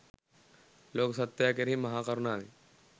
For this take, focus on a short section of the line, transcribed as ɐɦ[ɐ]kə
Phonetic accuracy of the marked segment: incorrect: a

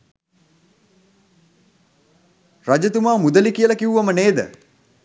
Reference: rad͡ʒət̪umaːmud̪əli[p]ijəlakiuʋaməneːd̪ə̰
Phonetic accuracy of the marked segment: incorrect: k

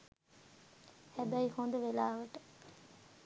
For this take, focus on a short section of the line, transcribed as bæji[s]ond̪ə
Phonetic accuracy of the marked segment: incorrect: h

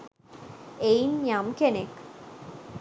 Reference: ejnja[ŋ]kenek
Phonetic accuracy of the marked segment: incorrect: m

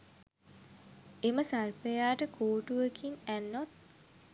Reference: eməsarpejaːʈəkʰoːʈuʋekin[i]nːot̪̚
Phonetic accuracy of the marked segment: incorrect: æ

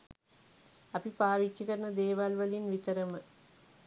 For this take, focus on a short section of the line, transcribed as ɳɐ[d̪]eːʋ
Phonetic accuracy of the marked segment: correct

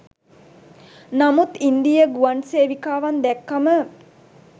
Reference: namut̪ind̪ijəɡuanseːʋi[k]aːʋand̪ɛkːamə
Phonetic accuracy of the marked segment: correct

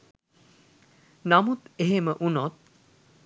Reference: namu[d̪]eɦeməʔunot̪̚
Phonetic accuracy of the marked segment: incorrect: t̪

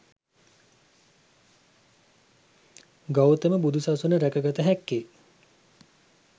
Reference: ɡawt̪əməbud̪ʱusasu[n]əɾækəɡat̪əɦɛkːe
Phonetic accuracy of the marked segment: correct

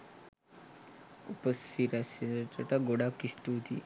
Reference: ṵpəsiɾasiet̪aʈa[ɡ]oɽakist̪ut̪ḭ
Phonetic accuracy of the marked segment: correct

